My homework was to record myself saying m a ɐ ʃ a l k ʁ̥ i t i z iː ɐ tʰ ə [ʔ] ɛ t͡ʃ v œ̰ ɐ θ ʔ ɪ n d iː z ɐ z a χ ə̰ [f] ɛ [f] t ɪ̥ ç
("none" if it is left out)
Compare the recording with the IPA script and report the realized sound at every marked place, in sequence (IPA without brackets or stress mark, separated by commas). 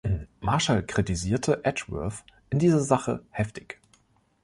ʔ, h, f